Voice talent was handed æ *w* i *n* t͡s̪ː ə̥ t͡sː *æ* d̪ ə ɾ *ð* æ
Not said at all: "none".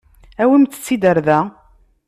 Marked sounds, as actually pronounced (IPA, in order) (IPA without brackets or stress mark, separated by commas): w, m, i, ð